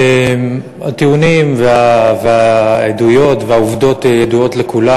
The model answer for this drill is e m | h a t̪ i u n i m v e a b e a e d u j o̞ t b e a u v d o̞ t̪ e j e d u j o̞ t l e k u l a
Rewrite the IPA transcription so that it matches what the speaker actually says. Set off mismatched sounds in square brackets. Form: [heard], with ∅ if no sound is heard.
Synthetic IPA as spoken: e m | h a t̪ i u n i m v e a [v] e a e d u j o̞ t [v] e a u v d o̞ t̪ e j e d u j o̞ t l e k u l a